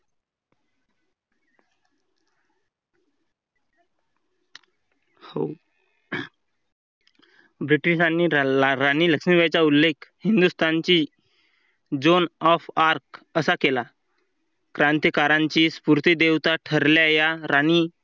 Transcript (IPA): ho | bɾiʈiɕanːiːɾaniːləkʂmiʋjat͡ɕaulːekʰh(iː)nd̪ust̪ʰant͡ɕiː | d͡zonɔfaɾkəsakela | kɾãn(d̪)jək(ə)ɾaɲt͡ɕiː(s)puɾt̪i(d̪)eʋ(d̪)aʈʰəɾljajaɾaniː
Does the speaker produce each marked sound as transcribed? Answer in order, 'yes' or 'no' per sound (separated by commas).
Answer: no, no, no, yes, yes, no